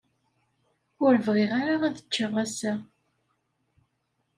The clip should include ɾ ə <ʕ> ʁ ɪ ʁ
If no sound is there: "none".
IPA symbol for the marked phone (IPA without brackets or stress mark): v